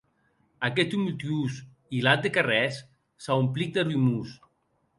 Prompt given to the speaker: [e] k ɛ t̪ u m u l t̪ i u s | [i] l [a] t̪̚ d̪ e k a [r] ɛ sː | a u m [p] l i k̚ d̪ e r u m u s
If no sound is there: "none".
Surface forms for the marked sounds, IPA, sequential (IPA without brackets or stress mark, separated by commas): a, i, a, r, p